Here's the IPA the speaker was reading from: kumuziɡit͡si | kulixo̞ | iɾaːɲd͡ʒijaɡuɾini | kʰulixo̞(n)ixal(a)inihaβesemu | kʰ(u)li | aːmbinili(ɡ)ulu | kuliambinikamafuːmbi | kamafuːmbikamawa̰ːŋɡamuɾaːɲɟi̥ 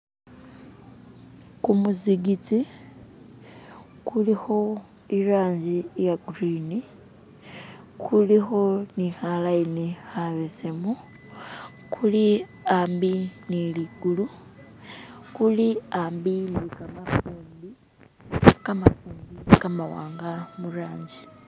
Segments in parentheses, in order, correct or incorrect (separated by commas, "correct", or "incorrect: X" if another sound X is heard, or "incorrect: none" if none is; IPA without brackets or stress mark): correct, correct, correct, correct